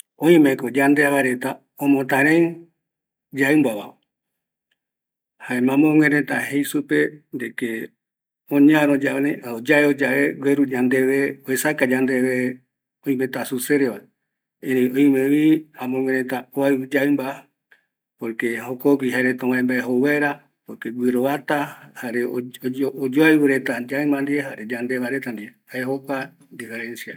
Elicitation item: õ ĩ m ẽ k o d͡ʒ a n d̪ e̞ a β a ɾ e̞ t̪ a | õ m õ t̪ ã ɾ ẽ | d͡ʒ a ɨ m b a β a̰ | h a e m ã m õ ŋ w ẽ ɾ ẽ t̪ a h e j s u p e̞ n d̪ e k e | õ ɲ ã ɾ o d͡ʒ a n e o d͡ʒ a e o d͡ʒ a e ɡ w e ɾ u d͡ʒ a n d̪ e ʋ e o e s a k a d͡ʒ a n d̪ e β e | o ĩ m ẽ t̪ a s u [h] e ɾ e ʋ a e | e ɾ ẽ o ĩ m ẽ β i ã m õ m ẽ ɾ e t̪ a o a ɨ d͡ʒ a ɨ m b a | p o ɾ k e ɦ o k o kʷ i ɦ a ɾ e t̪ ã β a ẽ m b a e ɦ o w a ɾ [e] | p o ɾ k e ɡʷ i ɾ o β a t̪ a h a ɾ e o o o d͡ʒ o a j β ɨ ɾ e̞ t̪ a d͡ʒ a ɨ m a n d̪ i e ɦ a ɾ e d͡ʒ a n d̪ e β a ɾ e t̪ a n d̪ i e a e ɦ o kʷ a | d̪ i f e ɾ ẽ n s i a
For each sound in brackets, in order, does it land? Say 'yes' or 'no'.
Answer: no, no

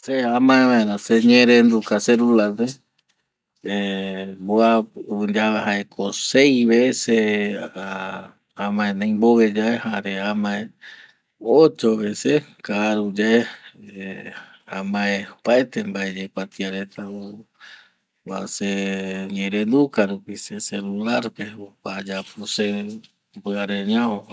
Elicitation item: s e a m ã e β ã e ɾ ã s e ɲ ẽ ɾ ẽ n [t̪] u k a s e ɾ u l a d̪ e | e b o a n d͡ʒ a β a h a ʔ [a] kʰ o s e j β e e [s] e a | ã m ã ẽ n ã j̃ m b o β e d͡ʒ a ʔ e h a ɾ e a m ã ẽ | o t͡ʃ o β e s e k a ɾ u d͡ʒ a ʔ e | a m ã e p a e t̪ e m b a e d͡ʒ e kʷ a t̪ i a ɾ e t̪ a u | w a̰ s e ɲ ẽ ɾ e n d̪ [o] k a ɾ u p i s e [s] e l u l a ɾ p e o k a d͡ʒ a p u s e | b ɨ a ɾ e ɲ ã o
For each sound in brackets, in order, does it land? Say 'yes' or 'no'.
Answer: no, no, yes, no, yes

